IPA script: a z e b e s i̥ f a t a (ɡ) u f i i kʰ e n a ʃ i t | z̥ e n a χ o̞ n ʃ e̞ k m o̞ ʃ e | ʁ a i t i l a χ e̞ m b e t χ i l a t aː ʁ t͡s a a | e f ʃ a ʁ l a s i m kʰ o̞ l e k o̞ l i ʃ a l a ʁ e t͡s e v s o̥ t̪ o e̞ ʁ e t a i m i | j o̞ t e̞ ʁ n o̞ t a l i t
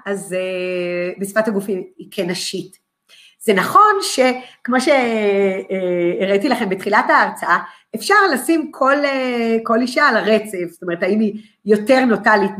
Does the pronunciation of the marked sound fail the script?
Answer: no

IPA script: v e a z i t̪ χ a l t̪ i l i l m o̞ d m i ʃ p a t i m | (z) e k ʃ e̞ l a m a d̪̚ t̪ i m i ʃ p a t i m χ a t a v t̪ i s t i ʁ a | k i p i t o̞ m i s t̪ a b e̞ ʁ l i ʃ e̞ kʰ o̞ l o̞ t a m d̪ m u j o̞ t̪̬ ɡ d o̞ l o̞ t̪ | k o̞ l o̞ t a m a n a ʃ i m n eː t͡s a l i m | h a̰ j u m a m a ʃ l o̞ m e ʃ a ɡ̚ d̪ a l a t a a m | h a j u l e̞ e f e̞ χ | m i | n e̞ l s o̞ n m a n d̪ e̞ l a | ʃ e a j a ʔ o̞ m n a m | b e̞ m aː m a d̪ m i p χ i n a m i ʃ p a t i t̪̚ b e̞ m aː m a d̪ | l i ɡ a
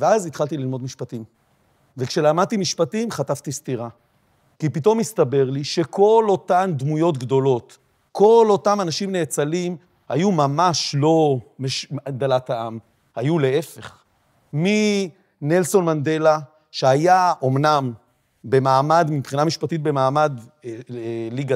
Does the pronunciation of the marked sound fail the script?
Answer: yes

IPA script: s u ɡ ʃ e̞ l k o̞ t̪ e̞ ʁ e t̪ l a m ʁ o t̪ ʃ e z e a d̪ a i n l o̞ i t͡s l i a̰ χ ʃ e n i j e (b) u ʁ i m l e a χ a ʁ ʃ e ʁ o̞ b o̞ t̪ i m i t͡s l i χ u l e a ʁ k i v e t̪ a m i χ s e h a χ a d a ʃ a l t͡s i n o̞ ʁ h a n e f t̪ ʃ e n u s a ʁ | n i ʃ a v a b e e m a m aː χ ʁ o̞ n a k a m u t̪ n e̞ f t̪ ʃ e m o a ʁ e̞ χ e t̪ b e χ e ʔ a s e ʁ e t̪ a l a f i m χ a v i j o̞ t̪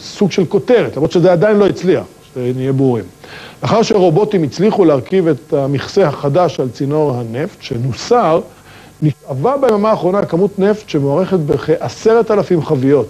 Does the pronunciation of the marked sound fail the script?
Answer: no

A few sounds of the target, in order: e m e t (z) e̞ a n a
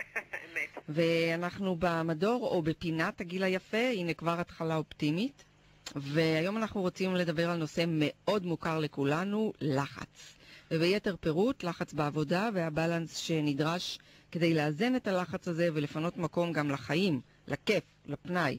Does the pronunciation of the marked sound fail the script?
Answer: yes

